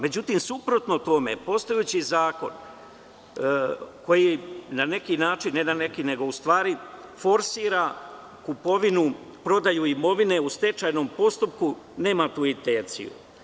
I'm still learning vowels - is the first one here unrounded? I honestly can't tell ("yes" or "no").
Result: yes